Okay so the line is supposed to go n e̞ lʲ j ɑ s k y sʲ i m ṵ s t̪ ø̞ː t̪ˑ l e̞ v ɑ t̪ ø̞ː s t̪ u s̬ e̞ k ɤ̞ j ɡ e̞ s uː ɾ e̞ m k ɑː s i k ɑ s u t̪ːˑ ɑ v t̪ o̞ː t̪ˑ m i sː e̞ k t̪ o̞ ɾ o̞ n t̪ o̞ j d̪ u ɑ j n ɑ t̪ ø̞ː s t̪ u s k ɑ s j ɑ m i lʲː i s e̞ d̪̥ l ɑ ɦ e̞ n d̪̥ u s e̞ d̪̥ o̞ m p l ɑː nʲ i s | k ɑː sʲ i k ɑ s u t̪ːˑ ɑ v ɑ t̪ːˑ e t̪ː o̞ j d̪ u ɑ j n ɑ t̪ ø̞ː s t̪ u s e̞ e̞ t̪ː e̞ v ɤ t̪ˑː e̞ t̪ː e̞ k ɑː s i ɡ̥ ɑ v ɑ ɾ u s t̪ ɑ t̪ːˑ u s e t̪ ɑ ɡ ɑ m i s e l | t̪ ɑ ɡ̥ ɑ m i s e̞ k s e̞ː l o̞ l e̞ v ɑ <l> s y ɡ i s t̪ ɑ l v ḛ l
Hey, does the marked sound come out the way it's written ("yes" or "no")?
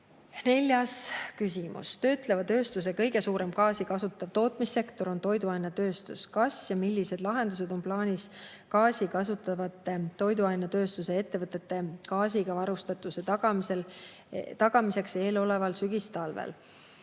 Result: yes